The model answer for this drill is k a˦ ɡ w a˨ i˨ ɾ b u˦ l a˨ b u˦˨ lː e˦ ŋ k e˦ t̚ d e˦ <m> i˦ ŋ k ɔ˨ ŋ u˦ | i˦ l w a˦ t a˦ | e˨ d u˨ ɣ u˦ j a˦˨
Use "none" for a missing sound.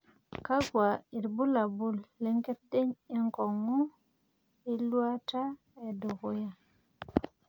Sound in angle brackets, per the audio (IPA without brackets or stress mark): ɲ